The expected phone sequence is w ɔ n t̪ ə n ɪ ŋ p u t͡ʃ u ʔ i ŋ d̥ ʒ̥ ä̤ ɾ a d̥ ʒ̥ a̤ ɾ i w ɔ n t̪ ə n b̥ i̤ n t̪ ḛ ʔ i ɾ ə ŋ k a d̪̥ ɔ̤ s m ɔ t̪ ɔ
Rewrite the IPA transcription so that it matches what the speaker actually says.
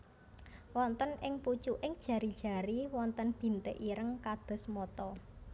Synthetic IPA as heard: w ɔ n t̪ ə n ɪ ŋ p u t͡ʃ u ʔ ɪ ŋ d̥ ʒ̥ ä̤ ɾ i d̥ ʒ̥ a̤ ɾ i w ɔ n t̪ ə n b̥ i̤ n t̪ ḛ ʔ i ɾ ə ŋ k a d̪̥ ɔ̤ s m ɔ t̪ ɔ